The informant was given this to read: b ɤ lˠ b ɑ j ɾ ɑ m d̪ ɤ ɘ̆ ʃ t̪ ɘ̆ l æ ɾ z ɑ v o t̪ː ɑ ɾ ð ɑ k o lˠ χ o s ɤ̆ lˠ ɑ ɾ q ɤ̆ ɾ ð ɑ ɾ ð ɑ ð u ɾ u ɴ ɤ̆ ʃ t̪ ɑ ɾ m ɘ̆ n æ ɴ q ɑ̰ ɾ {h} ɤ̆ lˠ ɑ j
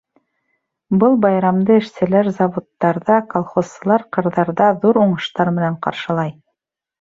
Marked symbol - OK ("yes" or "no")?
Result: no